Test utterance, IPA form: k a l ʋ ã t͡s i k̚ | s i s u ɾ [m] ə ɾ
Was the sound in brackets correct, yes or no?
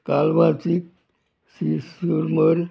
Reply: yes